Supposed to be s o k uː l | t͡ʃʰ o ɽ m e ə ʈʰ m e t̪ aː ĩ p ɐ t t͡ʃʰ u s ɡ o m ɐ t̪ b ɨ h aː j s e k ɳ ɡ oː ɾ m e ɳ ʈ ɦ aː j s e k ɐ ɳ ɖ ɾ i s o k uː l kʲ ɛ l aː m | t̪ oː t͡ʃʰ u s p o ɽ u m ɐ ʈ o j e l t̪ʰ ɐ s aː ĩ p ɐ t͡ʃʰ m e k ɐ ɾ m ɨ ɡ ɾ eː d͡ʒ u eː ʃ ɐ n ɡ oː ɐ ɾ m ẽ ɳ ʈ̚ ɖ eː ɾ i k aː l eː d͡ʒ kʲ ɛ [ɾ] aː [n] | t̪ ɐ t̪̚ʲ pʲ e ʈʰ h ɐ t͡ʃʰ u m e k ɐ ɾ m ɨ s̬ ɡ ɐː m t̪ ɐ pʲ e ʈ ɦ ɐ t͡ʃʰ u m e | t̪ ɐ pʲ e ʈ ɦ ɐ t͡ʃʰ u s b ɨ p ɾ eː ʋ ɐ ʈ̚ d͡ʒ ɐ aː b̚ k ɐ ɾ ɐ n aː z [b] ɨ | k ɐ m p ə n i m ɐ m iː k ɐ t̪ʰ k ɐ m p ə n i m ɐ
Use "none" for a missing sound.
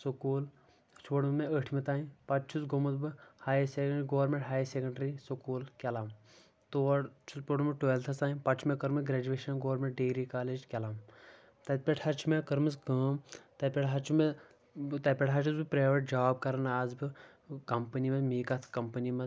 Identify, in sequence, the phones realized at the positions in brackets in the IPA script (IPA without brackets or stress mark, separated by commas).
l, m, b